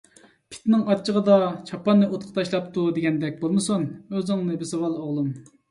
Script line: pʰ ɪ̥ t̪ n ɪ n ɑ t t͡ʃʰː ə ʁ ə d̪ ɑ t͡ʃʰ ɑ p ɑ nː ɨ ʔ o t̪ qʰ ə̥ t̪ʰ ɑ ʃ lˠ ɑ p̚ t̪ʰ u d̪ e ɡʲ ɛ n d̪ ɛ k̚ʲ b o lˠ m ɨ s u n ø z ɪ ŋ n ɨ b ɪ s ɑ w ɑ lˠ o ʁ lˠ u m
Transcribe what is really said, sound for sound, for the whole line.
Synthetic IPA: pʰ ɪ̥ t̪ n ɪ ŋ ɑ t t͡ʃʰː ə ʁ ə d̪ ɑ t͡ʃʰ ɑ p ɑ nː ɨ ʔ o t̪ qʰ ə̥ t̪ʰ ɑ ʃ lˠ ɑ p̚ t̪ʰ u d̪ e ɡʲ ɛ n d̪ ɛ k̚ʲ b o lˠ m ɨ s u n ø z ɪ ŋ n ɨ b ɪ s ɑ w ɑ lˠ o ʁ lˠ u m